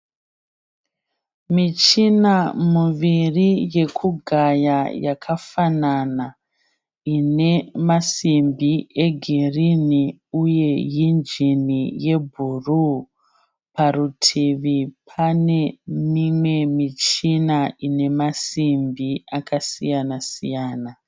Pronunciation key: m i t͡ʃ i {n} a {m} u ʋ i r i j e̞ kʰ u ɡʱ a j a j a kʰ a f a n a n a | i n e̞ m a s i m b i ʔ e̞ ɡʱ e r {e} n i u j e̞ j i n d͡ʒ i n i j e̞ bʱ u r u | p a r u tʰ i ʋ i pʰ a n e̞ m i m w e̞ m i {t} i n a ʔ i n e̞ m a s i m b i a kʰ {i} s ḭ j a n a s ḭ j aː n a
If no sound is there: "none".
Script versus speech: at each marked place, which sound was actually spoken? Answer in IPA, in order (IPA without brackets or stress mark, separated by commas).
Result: n, m, i, t͡ʃ, a